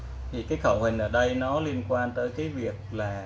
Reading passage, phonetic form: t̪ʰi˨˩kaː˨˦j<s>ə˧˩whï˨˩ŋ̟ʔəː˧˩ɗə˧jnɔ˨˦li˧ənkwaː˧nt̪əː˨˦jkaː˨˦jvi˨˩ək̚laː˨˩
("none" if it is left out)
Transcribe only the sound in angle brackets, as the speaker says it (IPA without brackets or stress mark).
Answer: x